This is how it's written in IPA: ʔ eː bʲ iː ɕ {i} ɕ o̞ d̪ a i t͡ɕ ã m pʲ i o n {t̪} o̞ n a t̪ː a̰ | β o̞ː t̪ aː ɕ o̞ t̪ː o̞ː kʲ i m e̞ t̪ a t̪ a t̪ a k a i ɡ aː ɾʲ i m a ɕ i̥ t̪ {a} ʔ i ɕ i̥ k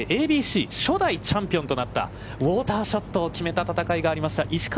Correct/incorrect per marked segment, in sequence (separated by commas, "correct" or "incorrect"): incorrect, correct, correct